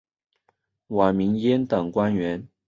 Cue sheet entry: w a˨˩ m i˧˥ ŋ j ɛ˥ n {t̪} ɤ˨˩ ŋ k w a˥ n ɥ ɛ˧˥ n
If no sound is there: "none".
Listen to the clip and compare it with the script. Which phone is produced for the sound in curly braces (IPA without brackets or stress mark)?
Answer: t̪